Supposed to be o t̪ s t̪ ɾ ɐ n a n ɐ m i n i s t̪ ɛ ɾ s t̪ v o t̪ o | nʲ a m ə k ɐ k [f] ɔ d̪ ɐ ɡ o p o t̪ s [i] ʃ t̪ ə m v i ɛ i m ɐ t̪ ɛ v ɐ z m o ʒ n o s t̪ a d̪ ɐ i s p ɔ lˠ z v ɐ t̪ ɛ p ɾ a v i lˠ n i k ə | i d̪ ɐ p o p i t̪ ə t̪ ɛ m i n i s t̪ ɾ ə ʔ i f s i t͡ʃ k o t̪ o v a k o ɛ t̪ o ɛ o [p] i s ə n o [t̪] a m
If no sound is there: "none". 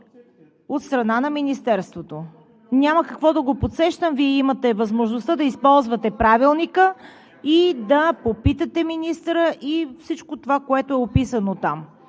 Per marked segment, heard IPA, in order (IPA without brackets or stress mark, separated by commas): v, ɛ, p, t̪